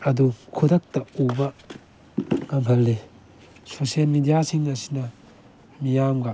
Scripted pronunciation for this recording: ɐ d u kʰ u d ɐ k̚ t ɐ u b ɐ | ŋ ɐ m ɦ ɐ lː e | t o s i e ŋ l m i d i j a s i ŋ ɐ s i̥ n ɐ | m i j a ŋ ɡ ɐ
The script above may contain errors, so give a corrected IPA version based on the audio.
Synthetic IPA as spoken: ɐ d u kʰ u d ɐ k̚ t ɐ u b ɐ | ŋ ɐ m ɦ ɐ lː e | s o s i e l m i d i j a s i ŋ ɐ s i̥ n ɐ | m i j a m ɡ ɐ